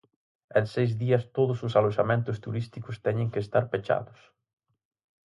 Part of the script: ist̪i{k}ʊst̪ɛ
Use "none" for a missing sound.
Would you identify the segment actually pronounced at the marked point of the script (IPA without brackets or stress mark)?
k